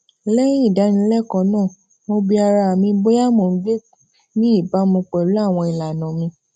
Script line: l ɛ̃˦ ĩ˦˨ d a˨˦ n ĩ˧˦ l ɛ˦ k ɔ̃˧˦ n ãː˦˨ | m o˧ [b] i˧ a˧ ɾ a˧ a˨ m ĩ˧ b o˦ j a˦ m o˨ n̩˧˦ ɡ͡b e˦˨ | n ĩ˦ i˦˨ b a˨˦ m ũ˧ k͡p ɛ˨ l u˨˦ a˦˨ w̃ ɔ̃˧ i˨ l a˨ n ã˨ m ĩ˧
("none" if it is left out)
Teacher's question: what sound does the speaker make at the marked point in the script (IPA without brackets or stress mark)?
b